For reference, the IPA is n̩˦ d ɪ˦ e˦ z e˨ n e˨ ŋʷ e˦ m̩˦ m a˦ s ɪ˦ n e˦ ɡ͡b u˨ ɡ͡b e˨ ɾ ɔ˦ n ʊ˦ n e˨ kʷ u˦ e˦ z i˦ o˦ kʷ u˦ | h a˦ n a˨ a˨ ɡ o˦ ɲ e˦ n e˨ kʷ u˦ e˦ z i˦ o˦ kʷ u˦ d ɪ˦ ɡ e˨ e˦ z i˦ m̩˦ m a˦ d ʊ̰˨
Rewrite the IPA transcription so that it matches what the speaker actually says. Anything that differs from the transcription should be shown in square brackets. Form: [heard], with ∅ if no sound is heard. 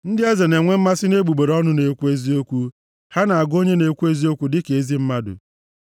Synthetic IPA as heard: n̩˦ d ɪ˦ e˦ z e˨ n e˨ ŋʷ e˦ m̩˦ m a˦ s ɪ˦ n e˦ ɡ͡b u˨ ɡ͡b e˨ ɾ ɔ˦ n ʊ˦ n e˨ kʷ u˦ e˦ z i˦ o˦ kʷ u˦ | h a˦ n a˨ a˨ ɡ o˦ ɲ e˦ n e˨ kʷ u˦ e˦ z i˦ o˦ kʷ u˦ d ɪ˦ [k] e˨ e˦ z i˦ m̩˦ m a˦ d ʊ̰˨

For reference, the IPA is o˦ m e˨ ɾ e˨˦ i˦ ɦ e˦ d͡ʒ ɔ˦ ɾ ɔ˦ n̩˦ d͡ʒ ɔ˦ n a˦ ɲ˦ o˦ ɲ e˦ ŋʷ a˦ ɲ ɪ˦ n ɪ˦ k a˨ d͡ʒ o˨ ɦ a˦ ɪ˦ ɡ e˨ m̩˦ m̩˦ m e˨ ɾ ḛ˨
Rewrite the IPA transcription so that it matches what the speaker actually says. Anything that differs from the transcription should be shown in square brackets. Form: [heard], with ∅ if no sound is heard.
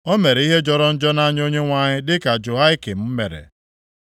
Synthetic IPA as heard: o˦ m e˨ ɾ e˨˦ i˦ ɦ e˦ d͡ʒ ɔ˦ ɾ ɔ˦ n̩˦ d͡ʒ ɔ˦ n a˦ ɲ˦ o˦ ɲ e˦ ŋʷ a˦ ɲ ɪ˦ [d] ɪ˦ k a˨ d͡ʒ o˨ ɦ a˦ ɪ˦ [k] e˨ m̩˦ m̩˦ m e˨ ɾ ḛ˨

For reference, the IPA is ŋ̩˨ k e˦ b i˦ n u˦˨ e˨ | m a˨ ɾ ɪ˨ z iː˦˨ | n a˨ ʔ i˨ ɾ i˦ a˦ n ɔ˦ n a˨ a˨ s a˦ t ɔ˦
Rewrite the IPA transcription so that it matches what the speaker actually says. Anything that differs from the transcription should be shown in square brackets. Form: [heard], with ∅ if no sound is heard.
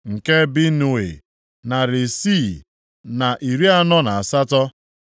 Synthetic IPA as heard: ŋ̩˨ k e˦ b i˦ n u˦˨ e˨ | [n] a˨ ɾ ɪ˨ [s] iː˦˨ | n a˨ ʔ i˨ ɾ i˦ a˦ n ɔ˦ n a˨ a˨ s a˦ t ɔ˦

